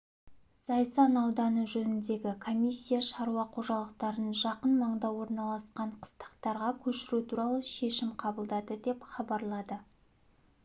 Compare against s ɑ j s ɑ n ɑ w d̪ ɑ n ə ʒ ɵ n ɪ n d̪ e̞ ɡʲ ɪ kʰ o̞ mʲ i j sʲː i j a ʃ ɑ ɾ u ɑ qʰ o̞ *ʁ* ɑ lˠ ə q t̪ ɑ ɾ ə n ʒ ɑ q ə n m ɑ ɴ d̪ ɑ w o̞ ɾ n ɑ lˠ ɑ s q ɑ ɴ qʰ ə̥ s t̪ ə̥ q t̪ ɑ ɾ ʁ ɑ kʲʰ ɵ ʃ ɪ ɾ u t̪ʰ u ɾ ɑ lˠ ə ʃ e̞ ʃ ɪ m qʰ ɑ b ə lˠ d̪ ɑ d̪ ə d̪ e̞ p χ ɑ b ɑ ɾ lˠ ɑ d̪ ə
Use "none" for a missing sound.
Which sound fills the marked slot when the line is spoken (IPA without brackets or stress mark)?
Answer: ʒ